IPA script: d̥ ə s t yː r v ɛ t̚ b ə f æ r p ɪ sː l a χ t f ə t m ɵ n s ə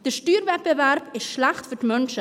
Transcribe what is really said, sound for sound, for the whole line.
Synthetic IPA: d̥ ə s t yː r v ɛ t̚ b ə v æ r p ɪ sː l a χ t f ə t m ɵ n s ə

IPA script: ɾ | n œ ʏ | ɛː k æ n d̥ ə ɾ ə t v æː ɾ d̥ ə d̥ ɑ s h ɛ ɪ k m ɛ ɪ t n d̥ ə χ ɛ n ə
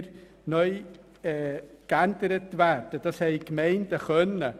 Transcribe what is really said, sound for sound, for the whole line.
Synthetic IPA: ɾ | n œ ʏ | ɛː k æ n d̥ ə ɾ ə t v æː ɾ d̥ ə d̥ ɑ s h ɛ ɪ k m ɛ ɪ n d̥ ə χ œ n ə

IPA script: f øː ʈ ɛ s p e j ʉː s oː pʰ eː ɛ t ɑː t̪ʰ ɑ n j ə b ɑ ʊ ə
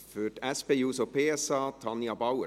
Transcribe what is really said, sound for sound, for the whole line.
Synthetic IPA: f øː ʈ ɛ s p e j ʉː s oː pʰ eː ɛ s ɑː t̪ʰ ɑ n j ɑ b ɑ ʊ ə

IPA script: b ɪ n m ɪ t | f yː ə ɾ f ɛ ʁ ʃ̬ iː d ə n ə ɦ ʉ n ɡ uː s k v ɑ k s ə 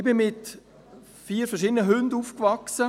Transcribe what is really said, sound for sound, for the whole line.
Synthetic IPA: b ɪ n m ɪ t | f iː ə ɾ f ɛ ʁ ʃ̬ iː d ə n ə ɦ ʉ n d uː f k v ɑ k s ə

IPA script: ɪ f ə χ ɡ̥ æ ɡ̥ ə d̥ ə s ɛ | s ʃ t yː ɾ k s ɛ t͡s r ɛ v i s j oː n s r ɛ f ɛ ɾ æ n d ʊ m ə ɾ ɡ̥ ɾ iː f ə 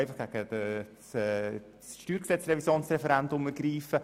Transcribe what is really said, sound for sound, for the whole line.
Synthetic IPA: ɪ f ɑ χ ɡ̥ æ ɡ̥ ə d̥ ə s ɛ | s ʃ t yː ɾ k s ɛ t͡s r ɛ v i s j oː n s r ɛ f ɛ ɾ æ n d ʊ m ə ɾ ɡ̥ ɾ iː f ə

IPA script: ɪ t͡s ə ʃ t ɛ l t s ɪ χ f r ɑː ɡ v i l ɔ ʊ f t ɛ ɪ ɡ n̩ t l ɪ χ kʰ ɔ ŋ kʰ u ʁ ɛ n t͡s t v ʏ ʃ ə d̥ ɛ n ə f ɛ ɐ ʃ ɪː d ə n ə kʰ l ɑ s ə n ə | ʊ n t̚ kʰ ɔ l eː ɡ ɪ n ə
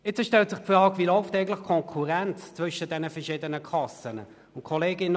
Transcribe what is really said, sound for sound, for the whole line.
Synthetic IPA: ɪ t͡s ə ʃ t ɛ l t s ɪ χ f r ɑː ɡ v i l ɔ ʊ f t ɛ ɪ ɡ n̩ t l ɪ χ kʰ ɔ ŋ kʰ u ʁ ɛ n t͡s t͡s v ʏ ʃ ə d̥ ɛ n ə f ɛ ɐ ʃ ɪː d ə n ə kʰ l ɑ s ə n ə | ʊ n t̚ kʰ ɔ l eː ɡ ɪ n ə

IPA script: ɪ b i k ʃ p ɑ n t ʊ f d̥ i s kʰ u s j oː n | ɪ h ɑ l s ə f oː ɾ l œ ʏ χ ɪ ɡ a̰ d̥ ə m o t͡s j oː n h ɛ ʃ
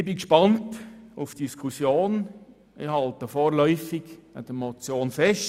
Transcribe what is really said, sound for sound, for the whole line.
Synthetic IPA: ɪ b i k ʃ p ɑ n t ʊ f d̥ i s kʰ u s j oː n | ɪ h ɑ l t ə f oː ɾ l œ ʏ f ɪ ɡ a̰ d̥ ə m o t͡s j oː n f ɛ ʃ

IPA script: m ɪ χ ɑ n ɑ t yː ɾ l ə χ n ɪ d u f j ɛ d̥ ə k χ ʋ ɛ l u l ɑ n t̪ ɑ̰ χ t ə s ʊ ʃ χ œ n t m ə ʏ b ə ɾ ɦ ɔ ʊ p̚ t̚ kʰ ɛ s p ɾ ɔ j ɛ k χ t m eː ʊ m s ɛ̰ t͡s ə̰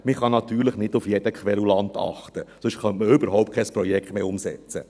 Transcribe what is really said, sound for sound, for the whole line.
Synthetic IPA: m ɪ χ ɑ n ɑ t yː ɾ l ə χ n ɪ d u f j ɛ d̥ ə k χ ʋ ɛ l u l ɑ n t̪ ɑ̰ χ t ə s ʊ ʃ χ œ n t m ə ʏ b ə ɾ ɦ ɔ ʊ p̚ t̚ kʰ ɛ s p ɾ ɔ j ɛ k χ t m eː ʊ m s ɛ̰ t͡s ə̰

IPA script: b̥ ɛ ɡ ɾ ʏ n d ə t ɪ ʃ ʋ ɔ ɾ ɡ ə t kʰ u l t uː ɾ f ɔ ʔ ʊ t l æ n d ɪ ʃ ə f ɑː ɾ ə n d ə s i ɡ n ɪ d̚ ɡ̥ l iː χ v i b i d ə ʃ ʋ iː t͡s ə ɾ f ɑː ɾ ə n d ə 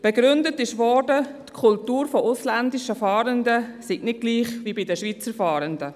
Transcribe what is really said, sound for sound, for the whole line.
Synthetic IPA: b̥ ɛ ɡ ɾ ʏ n d ə t ɪ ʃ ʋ ɔ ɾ d ə t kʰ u l t uː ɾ f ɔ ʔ ʊ s l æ n d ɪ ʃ ə f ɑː ɾ ə n d ə s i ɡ n ɪ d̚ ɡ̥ l iː χ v i b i d ə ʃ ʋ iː t͡s ə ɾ f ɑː ɾ ə n d ə

